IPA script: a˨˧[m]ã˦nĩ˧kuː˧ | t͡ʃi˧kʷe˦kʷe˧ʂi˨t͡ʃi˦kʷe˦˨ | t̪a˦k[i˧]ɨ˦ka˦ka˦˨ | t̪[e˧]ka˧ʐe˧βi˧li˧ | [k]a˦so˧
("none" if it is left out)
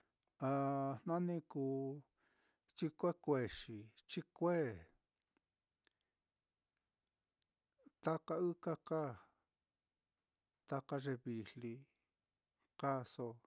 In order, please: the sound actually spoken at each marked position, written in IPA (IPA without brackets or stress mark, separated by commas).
n, a˧, a˧, k